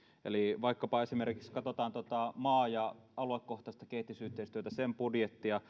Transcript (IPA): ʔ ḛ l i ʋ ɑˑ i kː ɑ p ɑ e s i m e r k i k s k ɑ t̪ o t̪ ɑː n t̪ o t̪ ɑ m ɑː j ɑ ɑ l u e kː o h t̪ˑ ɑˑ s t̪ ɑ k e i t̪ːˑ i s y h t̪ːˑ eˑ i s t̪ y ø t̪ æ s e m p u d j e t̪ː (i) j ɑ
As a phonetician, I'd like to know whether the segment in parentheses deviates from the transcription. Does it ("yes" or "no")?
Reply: no